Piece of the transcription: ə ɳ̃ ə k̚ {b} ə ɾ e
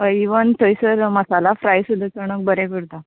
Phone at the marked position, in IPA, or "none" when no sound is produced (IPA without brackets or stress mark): b